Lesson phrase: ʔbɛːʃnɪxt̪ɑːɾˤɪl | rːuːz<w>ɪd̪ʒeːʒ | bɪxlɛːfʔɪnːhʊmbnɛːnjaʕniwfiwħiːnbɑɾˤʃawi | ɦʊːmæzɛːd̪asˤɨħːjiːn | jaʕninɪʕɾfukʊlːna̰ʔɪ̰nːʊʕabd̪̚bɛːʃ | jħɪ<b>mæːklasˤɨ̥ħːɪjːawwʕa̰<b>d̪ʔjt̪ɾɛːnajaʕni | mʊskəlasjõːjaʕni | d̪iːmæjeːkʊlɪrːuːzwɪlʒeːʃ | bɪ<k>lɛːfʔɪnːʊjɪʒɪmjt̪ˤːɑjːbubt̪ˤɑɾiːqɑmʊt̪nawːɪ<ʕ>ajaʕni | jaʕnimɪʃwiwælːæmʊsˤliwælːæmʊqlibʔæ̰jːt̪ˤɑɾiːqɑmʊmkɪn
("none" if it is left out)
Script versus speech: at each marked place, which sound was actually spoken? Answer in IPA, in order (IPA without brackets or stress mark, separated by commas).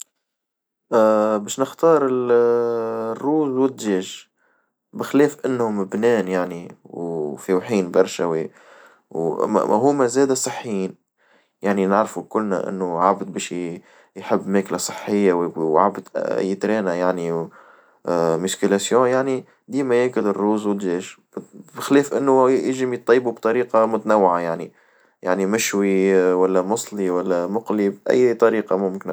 w, bː, b, x, ʕ